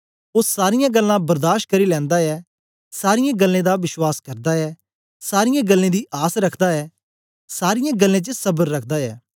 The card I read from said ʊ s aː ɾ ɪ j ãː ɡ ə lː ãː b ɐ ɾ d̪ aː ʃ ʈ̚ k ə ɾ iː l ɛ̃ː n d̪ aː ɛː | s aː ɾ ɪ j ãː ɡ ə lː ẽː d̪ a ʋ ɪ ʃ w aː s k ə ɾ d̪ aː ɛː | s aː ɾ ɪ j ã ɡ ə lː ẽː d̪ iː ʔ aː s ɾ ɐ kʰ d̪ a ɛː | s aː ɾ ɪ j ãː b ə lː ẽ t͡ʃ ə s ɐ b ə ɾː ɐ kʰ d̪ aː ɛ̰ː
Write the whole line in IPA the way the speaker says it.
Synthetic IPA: ʊ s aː ɾ ɪ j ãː ɡ ə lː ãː b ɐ ɾ d̪ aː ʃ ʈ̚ k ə ɾ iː l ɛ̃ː n d̪ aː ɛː | s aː ɾ ɪ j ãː ɡ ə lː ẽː d̪ a ʋ ɪ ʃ w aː s k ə ɾ d̪ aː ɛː | s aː ɾ ɪ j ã ɡ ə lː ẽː d̪ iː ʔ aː s ɾ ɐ kʰ d̪ a ɛː | s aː ɾ ɪ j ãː ɡ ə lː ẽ t͡ʃ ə s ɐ b ə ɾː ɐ kʰ d̪ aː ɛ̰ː